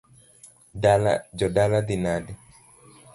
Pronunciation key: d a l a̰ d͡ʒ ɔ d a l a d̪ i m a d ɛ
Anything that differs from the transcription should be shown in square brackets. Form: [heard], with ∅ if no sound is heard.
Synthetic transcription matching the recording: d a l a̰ d͡ʒ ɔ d a l a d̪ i [n] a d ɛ